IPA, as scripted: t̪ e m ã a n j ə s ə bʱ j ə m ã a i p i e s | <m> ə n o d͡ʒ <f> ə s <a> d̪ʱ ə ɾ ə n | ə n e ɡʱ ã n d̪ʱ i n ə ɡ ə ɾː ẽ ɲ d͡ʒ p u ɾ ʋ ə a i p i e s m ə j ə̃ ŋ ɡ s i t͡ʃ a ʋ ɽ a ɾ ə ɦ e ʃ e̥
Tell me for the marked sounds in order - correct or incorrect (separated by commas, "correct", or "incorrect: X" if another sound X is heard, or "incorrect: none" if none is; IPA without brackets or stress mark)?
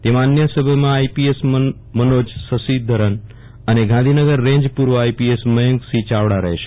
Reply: correct, incorrect: s, incorrect: i